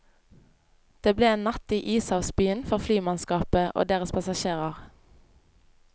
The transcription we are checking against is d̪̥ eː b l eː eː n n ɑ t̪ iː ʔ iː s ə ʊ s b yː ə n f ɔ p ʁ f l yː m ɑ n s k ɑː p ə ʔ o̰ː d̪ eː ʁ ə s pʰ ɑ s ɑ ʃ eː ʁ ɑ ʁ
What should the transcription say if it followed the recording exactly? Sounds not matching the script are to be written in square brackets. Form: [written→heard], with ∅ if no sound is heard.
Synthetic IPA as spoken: d̪̥ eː b l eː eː n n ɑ t̪ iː ʔ iː s [ə→ɑ] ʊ s b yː ə n f ɔ [p→∅] ʁ f l yː m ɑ n s k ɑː p ə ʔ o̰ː d̪ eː ʁ ə s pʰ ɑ s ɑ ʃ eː ʁ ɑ ʁ